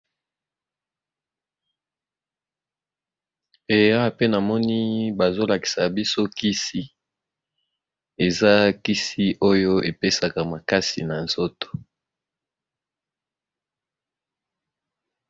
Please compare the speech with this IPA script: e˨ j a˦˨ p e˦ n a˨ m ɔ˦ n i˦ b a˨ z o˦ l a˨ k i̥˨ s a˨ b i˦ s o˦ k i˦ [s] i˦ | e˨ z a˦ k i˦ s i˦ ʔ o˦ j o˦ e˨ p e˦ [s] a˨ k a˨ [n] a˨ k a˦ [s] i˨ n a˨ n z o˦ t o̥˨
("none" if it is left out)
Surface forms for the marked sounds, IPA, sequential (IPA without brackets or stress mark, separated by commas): s, s, m, s